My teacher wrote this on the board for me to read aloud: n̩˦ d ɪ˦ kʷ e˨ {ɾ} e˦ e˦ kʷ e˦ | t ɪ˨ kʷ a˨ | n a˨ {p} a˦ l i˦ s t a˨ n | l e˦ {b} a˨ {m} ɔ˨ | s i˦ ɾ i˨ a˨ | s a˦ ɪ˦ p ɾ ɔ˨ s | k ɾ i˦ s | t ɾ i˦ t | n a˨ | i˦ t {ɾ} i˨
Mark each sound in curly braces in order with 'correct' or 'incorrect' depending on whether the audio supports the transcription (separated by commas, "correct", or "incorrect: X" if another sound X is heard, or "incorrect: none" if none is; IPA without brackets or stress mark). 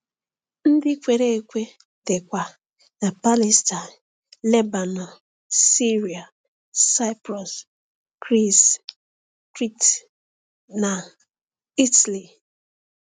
correct, correct, correct, incorrect: n, incorrect: l